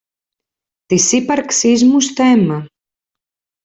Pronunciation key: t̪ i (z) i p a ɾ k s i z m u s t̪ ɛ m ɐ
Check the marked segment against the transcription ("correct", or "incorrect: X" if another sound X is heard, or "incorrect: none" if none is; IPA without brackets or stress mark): incorrect: s